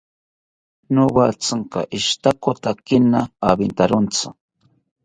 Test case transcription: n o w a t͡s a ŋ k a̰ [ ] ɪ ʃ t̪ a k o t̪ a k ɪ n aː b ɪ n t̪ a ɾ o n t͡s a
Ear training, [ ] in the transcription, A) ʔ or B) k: A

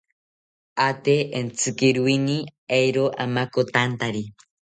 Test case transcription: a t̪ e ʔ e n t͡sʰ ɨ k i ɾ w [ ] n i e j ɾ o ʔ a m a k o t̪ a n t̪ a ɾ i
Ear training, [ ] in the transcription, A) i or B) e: A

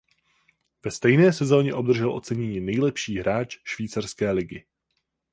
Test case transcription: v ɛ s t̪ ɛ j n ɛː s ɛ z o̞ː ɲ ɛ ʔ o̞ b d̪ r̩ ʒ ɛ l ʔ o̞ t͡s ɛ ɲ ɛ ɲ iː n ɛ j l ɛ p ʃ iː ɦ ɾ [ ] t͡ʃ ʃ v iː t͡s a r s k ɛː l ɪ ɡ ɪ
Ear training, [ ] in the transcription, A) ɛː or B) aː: B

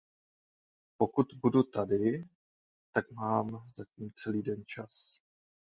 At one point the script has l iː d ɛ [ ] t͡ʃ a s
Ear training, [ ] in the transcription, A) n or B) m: A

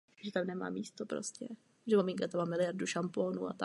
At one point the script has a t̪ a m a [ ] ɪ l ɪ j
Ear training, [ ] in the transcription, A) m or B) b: A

